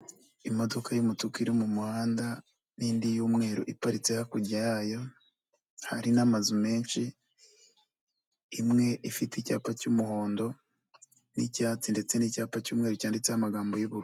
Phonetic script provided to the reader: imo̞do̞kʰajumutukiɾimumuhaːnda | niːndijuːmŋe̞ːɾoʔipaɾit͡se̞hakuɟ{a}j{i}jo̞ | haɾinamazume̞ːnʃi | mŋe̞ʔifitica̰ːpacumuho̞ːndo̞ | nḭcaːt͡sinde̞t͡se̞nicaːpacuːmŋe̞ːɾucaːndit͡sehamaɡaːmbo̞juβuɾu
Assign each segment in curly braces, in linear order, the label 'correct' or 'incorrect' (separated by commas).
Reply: correct, incorrect